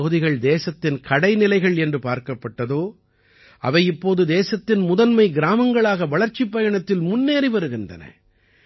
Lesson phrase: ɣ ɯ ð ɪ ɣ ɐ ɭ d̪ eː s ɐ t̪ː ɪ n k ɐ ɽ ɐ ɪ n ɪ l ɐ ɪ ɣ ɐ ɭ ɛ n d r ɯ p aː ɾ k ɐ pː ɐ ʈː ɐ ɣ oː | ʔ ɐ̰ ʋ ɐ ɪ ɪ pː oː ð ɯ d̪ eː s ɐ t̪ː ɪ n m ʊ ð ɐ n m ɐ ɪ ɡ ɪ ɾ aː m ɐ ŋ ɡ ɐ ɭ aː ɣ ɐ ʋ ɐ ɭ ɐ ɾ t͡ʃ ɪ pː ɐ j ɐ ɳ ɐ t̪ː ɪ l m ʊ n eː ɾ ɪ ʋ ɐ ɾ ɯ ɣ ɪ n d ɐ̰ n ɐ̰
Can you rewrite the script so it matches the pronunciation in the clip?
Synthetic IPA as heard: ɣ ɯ ð ɪ ɣ ɐ ɭ d̪ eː s ɐ t̪ː ɪ n k ɐ ɽ ɐ ɪ n ɪ l ɐ ɪ ɣ ɐ ɭ ɛ n d r ɯ p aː ɾ k ɐ pː ɐ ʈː ɐ ð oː | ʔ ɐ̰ ʋ ɐ ɪ ɪ pː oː ð ɯ d̪ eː s ɐ t̪ː ɪ n m ʊ ð ɐ n m ɐ ɪ ɡ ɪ ɾ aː m ɐ ŋ ɡ ɐ ɭ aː ɣ ɐ ʋ ɐ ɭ ɐ ɾ t͡ʃ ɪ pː ɐ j ɐ ɳ ɐ t̪ː ɪ l m ʊ nː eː ɾ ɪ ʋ ɐ ɾ ɯ ɣ ɪ n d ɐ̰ n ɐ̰

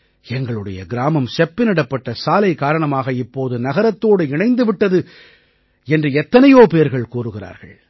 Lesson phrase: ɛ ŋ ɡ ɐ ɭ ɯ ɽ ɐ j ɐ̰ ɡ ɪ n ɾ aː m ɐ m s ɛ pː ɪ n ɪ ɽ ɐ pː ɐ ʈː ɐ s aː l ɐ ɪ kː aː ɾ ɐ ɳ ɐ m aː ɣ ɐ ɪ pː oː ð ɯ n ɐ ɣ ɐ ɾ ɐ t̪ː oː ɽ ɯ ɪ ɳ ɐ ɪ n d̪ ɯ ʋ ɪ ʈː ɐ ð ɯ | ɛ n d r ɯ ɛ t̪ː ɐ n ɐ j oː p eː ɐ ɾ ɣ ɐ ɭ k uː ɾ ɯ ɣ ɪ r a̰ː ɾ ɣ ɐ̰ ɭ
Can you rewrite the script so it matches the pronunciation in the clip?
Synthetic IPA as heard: ɛ ŋ ɡ ɐ ɭ ɯ ɽ ɐ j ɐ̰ ɡ ɪ ɾ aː m ɐ m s ɛ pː ɪ n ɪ ɽ ɐ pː ɐ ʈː ɐ s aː l ɐ ɪ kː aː ɾ ɐ ɳ ɐ m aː ɣ ɐ ɪ pː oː ð ɯ n ɐ ɣ ɐ ɾ ɐ t̪ː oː ɽ ɯ ɪ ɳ ɐ ɪ n d̪ ɯ ʋ ɪ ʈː ɐ ð ɯ | ɛ n d r ɯ ɛ t̪ː ɐ n ɐ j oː p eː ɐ ɾ ɣ ɐ ɭ k uː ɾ ɯ ɣ ɪ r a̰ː ɾ ɣ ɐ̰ ɭ

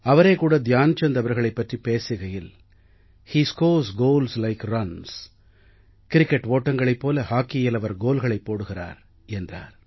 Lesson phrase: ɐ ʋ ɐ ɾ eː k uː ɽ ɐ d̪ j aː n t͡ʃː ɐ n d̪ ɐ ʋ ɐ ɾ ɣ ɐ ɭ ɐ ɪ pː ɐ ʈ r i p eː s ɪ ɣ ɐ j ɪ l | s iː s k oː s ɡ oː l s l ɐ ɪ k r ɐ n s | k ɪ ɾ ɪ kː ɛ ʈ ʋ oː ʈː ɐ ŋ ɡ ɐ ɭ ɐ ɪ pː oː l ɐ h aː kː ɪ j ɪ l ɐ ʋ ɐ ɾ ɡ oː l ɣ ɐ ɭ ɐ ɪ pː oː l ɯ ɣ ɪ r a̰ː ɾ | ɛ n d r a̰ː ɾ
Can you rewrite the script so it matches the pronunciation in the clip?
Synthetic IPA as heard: ɐ ʋ ɐ ɾ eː k uː ɽ ɐ d̪ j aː n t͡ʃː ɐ n d̪ ɐ ʋ ɐ ɾ ɣ ɐ ɭ ɐ ɪ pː ɐ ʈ r i p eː s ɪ ɣ ɐ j ɪ l | h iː s k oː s ɡ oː l s l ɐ ɪ k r ɐ n s | k ɪ ɾ ɪ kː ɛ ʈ ʋ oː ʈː ɐ ŋ ɡ ɐ ɭ ɐ ɪ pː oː l ɐ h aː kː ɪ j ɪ l ɐ ʋ ɐ ɾ ɡ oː l ɣ ɐ ɭ ɐ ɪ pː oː ɽ ɯ ɣ ɪ r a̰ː ɾ | ɛ n d r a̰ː ɾ

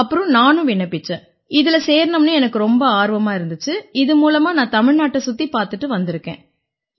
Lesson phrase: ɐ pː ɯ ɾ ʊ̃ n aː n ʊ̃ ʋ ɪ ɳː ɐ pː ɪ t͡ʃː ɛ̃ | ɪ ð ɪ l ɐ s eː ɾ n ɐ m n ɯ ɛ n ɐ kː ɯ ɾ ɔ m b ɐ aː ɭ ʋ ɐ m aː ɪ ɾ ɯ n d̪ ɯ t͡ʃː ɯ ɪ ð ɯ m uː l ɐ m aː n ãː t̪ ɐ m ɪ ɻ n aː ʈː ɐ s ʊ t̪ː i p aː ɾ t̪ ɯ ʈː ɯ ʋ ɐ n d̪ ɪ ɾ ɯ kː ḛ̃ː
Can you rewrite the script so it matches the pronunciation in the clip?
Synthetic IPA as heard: ɐ pː ɯ ɾ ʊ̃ n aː n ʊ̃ ʋ ɪ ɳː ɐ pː ɪ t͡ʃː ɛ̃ | ɪ ð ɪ l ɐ s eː ɾ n ɐ m n ɯ ɛ n ɐ kː ɯ ɾ ɔ m b ɐ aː ɾ ʋ ɐ m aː ɪ ɾ ɯ n d̪ ɯ t͡ʃː ɯ ɪ ð ɯ m uː l ɐ m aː n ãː t̪ ɐ m ɪ ɻ n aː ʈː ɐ s ʊ t̪ː i p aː ɾ t̪ ɯ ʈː ɯ ʋ ɐ n d̪ ɪ ɾ ɯ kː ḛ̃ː

